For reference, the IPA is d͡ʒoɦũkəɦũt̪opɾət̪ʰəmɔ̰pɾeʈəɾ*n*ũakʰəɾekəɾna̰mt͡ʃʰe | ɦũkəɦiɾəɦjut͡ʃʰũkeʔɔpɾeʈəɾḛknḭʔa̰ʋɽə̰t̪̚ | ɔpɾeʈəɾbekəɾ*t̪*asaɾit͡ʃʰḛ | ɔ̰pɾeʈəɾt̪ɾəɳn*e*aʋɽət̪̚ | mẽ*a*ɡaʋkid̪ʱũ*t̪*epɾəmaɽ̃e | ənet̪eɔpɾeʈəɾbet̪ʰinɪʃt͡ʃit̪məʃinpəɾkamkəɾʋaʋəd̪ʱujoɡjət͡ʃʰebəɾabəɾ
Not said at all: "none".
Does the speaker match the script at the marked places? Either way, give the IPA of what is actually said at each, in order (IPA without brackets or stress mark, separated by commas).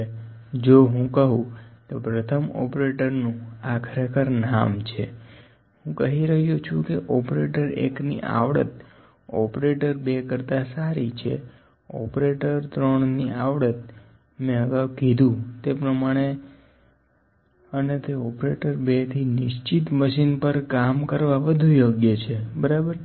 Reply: n, t̪, i, ə, t̪